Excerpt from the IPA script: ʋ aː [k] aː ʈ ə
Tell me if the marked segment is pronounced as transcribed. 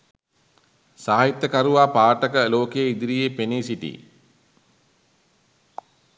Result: no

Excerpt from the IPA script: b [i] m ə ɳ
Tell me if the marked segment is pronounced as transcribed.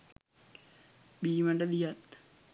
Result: no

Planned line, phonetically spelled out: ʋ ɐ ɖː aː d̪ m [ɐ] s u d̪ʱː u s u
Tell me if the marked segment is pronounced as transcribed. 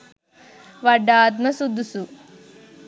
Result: yes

